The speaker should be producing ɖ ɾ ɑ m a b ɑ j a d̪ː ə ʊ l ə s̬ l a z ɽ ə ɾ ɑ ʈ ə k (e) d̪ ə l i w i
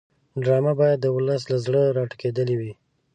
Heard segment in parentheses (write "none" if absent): e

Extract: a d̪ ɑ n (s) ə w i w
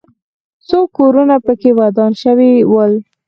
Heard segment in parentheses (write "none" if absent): ʃ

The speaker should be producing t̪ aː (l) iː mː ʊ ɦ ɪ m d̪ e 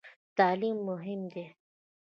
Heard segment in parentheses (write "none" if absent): l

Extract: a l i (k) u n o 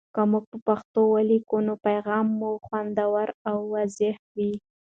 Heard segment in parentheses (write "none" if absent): k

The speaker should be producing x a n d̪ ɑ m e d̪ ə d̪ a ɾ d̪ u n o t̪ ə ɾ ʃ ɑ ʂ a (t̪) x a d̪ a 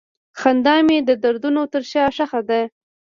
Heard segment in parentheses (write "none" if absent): none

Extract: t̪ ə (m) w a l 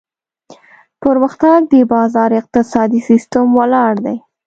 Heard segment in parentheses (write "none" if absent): m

